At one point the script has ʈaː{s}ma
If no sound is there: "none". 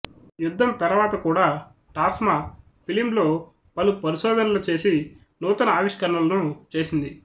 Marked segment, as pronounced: s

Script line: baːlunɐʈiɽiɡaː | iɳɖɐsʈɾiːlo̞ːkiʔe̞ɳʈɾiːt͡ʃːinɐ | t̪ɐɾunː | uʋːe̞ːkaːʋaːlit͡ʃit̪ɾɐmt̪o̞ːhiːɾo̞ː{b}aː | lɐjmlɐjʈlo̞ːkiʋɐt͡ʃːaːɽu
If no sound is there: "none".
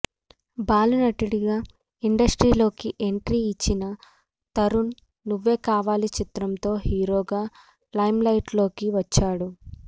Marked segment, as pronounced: ɡ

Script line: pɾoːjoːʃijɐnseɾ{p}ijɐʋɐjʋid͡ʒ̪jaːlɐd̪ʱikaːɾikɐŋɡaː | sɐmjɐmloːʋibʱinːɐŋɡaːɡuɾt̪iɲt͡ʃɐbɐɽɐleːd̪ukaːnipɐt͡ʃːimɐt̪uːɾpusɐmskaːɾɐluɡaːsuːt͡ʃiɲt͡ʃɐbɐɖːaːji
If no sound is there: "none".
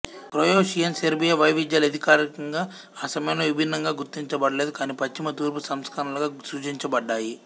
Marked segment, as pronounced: b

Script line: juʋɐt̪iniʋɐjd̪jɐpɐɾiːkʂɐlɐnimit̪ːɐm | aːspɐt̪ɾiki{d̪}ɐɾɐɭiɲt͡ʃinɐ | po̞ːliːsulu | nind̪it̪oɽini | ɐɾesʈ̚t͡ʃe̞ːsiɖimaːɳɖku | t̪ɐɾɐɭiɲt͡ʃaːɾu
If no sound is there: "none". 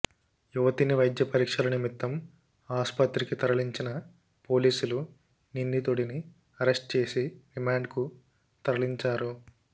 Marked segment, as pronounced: t̪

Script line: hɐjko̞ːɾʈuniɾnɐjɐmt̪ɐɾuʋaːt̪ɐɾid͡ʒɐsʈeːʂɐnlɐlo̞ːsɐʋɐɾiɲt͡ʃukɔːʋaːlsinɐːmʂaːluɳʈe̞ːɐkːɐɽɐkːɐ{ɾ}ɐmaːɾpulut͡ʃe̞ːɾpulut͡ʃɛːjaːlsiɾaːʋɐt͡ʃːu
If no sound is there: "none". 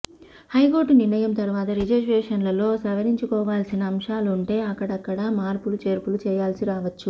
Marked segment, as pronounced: ɽ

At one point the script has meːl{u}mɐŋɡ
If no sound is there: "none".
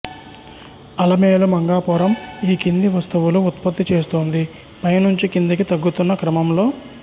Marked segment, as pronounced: u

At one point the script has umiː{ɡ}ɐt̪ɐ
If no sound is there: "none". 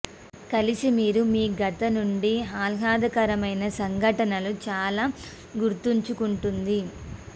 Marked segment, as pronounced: ɡ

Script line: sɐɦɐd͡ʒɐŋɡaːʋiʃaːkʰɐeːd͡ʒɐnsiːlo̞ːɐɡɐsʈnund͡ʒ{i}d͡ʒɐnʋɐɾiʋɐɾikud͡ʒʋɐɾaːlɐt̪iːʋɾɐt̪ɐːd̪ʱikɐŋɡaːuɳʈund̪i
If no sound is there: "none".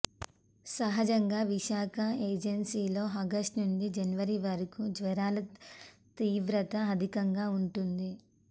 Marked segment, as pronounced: i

